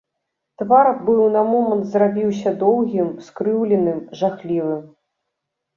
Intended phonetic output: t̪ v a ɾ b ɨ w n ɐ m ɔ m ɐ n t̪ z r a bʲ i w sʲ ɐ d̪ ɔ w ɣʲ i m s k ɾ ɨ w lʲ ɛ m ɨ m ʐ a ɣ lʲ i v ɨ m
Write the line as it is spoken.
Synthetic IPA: t̪ v a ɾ b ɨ w n ɐ m ɔ m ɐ n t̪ z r a bʲ i w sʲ ɐ d̪ ɔ w ɣʲ i m s k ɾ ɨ w lʲ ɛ n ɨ m ʐ a x lʲ i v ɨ m

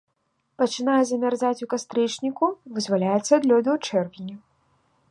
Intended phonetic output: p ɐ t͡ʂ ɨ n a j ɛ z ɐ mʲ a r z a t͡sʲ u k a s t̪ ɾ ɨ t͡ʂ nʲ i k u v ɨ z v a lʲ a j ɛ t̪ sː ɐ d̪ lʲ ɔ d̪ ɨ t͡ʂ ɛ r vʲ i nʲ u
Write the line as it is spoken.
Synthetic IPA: p ɐ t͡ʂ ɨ n a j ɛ z ɐ mʲ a r z a t͡sʲ u k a s t̪ ɾ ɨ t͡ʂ nʲ i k u v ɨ z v a lʲ a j ɛ t̪ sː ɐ d̪ lʲ ɔ d̪ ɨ t͡ʂ ɛ r vʲ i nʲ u

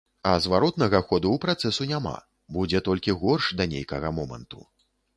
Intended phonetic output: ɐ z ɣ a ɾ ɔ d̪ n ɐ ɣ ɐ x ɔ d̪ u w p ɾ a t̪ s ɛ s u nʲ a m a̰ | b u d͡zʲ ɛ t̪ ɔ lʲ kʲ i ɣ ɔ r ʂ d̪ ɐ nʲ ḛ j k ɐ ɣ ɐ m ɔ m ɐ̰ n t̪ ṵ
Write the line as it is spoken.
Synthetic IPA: ɐ z v a ɾ ɔ t̪ n ɐ ɣ ɐ x ɔ d̪ u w p ɾ a t̪ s ɛ s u nʲ a m a̰ | b u d͡zʲ ɛ t̪ ɔ lʲ kʲ i ɣ ɔ r ʂ d̪ ɐ nʲ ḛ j k ɐ ɣ ɐ m ɔ m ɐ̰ n t̪ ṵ

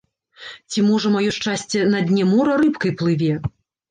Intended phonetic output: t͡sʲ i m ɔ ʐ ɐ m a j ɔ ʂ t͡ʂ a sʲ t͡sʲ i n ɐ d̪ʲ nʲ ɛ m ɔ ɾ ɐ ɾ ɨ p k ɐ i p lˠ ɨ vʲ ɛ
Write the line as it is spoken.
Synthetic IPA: t͡sʲ i m ɔ ʐ ɐ m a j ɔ ʂ t͡ʂ a sʲ t͡sʲ ɛ n ɐ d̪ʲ nʲ ɛ m ɔ ɾ ɐ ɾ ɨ p k ɐ j p lˠ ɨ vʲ ɛ

